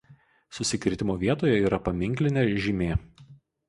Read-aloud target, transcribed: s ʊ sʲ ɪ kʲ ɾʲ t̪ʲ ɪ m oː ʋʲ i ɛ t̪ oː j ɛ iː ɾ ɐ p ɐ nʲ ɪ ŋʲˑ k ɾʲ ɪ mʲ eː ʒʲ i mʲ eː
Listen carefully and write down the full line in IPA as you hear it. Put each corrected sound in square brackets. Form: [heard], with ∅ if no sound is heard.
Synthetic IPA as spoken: s ʊ sʲ ɪ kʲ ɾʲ t̪ʲ ɪ m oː ʋʲ i ɛ t̪ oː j ɛ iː ɾ ɐ p ɐ [mʲ] ɪ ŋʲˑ k [lʲ] ɪ [nʲ] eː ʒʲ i mʲ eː